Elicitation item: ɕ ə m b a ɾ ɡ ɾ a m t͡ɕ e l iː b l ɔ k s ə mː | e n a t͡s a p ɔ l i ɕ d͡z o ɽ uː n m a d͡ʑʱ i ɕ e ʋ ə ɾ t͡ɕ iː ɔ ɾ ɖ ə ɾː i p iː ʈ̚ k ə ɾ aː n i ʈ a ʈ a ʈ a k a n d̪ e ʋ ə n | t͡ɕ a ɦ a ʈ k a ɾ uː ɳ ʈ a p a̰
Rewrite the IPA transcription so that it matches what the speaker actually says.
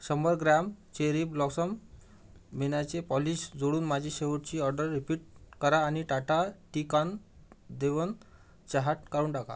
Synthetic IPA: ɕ ə m b ə ɾ ɡ ɾ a m t͡ɕ e ɾ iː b l ɔ k s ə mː | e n a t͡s e p ɔ l i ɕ d͡z o ɽ uː n m a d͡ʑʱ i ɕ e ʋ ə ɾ t͡ɕ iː ɔ ɾ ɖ ə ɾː i p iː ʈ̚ k ə ɾ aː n i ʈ a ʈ a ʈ i k a n d̪ e ʋ ə n | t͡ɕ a ɦ a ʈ k a ɾ uː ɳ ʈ a k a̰